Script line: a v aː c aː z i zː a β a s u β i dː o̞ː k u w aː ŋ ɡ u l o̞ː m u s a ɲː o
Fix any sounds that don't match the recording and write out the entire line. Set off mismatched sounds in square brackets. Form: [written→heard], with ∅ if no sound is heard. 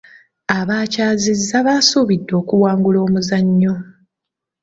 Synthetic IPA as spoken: a [v→β] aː c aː z i zː a β a s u β i dː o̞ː k u w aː ŋ ɡ u l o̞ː m u [s→z] a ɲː o